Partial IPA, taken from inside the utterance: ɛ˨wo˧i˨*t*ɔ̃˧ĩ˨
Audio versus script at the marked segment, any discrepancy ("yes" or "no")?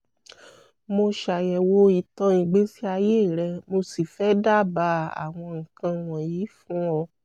no